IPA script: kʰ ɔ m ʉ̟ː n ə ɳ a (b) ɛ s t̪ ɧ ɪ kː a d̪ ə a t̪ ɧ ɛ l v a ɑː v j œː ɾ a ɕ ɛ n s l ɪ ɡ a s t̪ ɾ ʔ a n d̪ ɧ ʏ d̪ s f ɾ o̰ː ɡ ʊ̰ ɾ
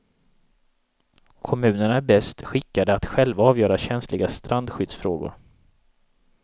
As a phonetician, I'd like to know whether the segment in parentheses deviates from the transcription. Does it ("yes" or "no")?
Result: no